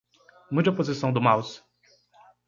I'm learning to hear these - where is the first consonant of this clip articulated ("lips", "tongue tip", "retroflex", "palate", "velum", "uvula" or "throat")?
lips